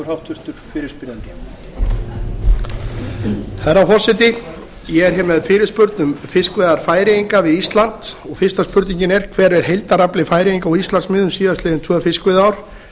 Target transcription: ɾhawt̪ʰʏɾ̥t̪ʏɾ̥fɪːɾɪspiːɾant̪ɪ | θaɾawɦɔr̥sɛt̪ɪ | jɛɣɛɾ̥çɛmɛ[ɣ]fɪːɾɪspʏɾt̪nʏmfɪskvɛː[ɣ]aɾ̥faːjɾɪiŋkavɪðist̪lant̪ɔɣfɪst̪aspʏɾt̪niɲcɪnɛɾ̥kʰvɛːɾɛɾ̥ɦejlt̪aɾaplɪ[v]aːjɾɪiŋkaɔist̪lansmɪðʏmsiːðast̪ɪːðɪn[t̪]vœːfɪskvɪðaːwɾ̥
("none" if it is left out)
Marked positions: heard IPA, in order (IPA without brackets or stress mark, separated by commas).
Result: ð, ð, f, t̪ʰ